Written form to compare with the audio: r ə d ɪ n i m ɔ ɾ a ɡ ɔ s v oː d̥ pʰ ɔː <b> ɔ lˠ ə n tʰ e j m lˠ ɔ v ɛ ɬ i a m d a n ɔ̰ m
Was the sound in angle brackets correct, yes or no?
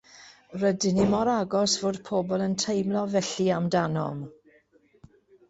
yes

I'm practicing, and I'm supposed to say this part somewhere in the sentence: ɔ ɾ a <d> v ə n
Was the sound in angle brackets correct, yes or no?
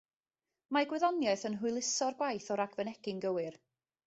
no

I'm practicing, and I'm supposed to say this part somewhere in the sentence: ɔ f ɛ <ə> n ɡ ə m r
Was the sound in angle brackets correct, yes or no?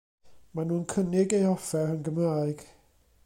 yes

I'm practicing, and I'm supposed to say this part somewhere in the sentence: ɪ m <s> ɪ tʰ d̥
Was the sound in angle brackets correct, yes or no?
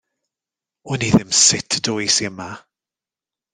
yes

